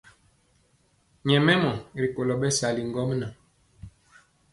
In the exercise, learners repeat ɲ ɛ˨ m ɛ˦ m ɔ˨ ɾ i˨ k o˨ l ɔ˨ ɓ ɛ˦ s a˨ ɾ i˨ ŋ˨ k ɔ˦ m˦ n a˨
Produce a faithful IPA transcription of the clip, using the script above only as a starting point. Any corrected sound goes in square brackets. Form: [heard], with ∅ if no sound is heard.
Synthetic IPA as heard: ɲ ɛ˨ m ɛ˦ m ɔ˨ ɾ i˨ k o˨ l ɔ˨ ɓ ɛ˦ s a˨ [l] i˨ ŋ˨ [ɡ] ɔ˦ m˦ n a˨